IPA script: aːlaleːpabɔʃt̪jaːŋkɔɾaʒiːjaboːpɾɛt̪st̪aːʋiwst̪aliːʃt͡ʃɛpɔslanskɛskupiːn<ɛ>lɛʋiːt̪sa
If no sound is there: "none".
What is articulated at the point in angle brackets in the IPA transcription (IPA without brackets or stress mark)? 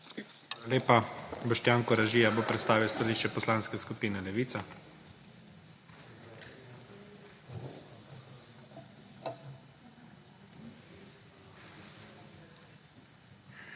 ɛ